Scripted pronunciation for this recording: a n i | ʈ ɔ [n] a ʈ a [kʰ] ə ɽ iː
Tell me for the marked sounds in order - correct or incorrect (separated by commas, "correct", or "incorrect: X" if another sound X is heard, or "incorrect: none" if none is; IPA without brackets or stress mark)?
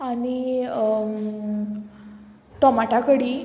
incorrect: m, incorrect: k